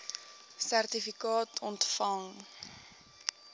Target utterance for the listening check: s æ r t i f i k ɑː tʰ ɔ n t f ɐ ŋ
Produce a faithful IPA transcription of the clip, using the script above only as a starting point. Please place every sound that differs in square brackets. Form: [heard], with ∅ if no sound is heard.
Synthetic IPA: s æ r t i f i k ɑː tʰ ɔ n t f ɐ ŋ